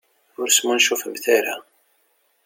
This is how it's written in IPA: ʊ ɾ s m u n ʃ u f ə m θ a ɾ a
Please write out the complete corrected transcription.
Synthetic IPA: ʊ ɾ s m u n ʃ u f ə m θ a ɾ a

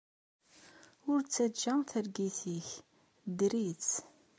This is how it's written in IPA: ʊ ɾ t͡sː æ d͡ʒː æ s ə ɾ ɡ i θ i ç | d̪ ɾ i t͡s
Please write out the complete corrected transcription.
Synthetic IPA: ʊ ɾ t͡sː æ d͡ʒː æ θ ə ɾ ɡ i θ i ç | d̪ ɾ i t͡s

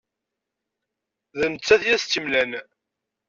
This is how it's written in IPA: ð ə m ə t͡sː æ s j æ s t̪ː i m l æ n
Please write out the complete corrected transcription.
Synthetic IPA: ð ə n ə t͡sː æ θ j æ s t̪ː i m l æ n

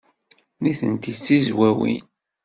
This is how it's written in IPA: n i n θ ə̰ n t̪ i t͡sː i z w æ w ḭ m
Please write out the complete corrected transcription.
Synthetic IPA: n i θ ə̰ n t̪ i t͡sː i z w æ w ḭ n

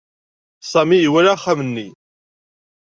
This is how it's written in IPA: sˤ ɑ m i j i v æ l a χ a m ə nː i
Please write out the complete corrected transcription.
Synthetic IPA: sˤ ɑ m i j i w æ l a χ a m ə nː i

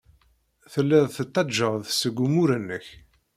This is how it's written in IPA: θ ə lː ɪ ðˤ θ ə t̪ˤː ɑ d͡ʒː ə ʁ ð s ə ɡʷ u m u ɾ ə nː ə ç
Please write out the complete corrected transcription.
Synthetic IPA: θ ə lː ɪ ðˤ θ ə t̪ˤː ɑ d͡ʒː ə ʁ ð s ə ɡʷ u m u ɾ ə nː ə ç

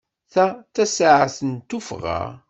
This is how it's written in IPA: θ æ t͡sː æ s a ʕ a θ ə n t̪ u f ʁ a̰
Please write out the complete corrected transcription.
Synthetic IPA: θ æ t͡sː æ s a ʕ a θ ə n t̪ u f ʁ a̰

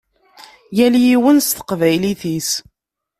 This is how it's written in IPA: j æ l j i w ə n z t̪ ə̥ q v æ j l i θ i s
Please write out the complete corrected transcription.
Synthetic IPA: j æ l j i w ə n s t̪ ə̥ q v æ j l i θ i s

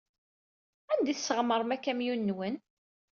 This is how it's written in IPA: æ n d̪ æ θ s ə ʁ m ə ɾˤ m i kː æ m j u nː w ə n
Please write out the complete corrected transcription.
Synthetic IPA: æ n d̪ i θ s ə ʁ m ə ɾˤ m æ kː æ m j u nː w ə n

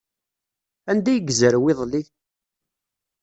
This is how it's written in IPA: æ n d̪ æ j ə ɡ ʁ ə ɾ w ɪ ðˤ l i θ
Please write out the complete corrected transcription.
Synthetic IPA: æ n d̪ æ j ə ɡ z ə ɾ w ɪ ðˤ l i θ

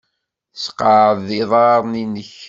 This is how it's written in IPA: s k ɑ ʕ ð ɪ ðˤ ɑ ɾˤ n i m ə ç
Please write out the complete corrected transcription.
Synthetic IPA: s q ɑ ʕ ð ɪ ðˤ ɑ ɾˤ n i n ə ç

